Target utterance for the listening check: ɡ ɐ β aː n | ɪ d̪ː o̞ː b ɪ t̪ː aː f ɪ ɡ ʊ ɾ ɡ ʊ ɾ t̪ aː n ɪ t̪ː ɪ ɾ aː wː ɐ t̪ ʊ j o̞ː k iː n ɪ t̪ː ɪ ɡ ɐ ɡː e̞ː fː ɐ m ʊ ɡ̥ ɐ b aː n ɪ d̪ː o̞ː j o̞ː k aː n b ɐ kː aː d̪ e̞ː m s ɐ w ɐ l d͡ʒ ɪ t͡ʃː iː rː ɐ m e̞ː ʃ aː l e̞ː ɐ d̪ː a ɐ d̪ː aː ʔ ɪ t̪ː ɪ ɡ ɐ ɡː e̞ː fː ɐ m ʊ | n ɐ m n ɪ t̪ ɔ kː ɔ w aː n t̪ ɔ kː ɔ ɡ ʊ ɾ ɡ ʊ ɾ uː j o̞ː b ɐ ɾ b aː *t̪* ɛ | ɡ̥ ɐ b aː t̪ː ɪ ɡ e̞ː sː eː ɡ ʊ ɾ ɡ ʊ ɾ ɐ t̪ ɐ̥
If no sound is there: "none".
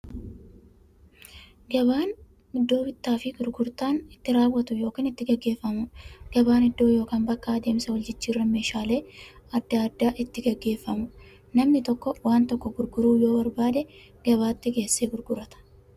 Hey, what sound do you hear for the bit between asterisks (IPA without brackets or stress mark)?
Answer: d̪